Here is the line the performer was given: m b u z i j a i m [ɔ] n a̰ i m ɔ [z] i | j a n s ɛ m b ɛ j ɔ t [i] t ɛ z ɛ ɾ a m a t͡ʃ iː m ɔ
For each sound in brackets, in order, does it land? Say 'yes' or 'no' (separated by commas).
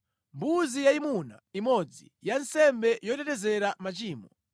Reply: no, no, no